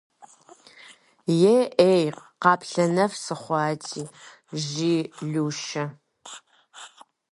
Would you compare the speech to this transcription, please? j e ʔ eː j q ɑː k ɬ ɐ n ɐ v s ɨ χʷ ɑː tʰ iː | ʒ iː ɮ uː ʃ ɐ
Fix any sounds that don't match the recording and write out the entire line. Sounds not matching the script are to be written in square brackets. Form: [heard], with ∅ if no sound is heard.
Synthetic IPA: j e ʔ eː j q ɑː [p] ɬ ɐ n ɐ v s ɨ χʷ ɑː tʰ iː | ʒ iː ɮ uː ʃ ɐ

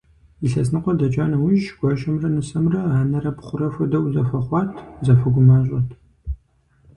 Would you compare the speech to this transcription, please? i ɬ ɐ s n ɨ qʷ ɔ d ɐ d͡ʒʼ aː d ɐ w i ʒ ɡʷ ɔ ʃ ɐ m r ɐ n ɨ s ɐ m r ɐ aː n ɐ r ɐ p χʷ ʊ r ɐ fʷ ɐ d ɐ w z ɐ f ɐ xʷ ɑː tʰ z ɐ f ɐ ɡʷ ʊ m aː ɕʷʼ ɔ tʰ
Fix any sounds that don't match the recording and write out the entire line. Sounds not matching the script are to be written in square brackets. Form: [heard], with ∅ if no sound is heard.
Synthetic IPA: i ɬ ɐ s n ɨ qʷ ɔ d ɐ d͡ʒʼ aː [n] ɐ w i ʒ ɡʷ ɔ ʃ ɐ m r ɐ n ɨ s ɐ m r ɐ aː n ɐ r ɐ p χʷ ʊ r ɐ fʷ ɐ d ɐ w z ɐ f ɐ [χʷ] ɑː tʰ z ɐ f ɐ ɡʷ ʊ m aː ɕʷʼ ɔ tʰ

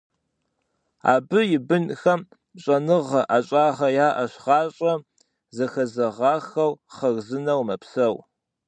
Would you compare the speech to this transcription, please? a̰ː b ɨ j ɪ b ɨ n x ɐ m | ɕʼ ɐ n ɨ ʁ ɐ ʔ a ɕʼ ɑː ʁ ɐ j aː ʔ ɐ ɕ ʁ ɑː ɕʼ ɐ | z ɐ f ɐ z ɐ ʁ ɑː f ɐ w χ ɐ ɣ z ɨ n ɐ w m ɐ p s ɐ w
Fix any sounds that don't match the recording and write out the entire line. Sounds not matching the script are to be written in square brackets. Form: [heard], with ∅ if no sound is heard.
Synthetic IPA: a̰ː b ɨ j ɪ b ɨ n x ɐ m | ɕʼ ɐ n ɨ ʁ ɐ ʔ a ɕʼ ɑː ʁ ɐ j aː ʔ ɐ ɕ ʁ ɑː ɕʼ ɐ | z ɐ [x] ɐ z ɐ ʁ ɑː [x] ɐ w χ ɐ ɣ z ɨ n ɐ w m ɐ p s ɐ w

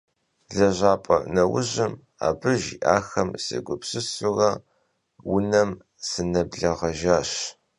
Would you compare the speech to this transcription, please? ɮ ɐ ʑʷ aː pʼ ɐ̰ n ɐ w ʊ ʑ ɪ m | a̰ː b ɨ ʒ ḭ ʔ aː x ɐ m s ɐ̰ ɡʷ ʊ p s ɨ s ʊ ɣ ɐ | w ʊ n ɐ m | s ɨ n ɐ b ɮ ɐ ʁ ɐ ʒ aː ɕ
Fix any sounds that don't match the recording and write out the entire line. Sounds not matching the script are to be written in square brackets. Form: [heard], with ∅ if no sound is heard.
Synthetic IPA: ɮ ɐ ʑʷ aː pʼ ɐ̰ n ɐ w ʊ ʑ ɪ m | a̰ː b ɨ ʒ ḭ ʔ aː x ɐ m s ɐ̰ ɡʷ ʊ p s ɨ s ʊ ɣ ɐ | w ʊ n ɐ m | s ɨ n ɐ b ɮ ɐ ʁ ɐ ʒ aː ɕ

